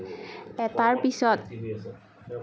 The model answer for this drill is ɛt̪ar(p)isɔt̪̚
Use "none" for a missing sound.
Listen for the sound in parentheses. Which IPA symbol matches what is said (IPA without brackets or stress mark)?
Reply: p